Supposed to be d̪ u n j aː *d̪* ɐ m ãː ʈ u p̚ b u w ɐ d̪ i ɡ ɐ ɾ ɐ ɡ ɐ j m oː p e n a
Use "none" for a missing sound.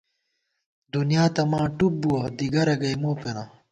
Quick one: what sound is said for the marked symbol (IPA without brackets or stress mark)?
t̪